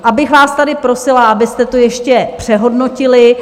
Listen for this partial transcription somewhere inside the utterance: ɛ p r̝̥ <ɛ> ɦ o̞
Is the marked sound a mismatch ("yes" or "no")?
no